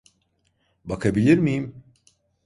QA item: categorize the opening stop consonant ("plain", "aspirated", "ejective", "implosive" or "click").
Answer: plain